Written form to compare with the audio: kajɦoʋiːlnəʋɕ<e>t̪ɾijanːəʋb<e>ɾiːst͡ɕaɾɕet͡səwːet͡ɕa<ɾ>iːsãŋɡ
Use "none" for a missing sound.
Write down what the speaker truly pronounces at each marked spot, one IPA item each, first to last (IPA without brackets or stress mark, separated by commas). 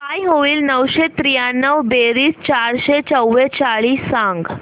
e, e, ɭ